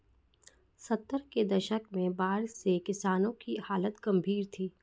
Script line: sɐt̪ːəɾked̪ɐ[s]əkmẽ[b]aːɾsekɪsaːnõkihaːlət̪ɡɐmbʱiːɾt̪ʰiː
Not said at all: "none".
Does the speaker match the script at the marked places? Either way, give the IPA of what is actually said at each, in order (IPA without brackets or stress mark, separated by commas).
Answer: ʃ, b